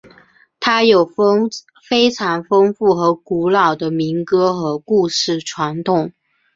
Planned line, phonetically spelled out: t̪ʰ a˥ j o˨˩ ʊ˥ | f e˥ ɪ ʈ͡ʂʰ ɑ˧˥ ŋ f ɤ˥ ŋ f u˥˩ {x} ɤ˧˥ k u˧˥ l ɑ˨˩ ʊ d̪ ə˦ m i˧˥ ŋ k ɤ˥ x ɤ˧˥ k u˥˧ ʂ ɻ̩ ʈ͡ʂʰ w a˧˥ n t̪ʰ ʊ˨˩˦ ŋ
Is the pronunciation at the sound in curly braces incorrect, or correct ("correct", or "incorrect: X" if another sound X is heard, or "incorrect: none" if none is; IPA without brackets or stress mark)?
correct